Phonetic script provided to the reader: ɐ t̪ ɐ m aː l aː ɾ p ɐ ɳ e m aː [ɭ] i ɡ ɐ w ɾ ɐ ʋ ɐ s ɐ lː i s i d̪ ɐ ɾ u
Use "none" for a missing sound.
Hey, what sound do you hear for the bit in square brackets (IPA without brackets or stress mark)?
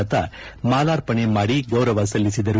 ɽ